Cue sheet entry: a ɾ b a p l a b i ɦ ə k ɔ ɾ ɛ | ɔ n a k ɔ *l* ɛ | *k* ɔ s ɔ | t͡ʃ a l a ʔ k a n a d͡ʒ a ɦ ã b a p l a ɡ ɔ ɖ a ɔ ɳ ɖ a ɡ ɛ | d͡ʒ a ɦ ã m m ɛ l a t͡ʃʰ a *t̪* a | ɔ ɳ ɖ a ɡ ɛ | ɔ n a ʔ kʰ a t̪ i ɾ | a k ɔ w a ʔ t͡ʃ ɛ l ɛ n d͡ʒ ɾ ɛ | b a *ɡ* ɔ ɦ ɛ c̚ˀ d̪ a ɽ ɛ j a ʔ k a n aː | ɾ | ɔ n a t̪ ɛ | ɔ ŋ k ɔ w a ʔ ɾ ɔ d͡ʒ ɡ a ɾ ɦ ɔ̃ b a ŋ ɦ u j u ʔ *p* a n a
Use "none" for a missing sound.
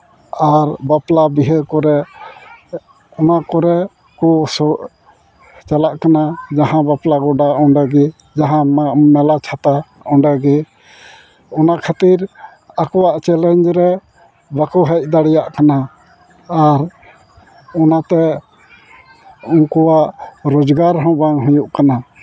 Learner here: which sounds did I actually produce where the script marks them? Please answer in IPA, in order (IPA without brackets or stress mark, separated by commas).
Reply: ɾ, k, t̪, k, k